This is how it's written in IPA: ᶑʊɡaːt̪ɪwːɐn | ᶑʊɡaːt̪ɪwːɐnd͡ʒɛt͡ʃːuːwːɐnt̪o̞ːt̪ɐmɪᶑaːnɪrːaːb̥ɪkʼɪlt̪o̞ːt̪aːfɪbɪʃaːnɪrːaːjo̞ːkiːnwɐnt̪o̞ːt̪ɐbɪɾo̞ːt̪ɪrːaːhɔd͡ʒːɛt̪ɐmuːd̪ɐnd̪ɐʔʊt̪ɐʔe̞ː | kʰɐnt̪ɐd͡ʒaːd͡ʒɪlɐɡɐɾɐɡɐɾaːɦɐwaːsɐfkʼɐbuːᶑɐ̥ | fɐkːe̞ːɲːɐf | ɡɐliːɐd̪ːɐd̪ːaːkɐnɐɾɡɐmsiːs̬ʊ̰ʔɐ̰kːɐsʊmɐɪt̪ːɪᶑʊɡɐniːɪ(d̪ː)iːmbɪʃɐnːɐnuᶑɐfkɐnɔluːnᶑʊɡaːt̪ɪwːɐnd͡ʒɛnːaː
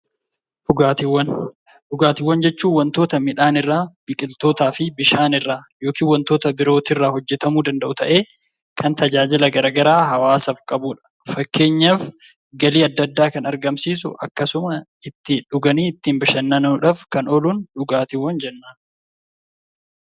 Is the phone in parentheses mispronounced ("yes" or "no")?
yes